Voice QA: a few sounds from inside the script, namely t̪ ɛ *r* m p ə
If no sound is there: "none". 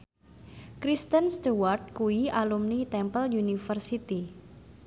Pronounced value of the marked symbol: none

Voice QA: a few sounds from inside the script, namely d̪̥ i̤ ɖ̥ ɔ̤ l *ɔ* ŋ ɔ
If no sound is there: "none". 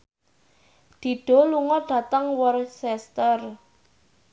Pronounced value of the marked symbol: u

